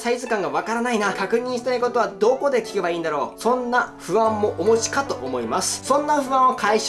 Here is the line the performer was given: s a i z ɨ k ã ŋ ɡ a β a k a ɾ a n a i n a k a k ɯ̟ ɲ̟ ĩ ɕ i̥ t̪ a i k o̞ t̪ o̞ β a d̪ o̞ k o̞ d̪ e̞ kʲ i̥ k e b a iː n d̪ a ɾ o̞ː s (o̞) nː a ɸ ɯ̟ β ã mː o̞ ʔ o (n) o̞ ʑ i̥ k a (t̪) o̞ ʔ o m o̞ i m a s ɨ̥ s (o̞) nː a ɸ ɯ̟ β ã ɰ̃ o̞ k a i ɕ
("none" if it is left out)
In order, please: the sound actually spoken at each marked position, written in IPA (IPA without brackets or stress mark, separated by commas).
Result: õ̞, m, t̪, õ̞